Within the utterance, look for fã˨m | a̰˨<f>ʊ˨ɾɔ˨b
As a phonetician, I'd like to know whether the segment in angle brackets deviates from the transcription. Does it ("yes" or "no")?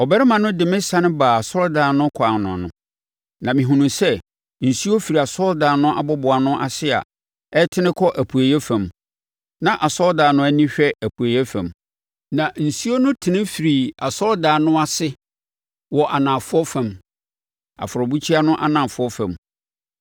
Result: no